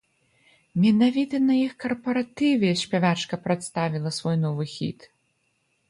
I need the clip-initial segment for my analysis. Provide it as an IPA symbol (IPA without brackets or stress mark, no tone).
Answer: mʲ